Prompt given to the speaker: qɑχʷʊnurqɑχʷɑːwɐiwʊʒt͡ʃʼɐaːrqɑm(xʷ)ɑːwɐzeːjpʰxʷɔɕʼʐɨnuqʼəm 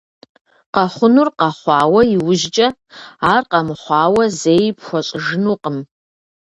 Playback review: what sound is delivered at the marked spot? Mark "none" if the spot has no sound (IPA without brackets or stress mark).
χʷ